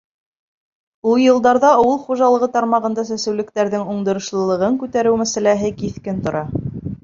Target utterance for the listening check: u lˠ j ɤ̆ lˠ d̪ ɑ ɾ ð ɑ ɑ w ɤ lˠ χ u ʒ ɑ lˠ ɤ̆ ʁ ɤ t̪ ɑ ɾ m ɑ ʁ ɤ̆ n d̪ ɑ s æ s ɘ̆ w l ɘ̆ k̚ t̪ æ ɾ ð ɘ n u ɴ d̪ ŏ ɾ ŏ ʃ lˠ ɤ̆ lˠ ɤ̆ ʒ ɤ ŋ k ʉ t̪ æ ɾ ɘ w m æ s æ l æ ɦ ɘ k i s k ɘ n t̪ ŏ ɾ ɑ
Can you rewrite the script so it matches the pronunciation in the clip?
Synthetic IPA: u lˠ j ɤ̆ lˠ d̪ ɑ ɾ ð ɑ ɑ w ɤ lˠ χ u ʒ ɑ lˠ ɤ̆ ʁ ɤ t̪ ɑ ɾ m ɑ ʁ ɤ̆ n d̪ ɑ s æ s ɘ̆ w l ɘ̆ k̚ t̪ æ ɾ ð ɘ ŋ u ɴ d̪ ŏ ɾ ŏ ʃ lˠ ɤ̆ lˠ ɤ̆ ʁ ɤ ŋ k ʉ t̪ æ ɾ ɘ w m æ s æ l æ ɦ ɘ k i θ k ɘ n t̪ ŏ ɾ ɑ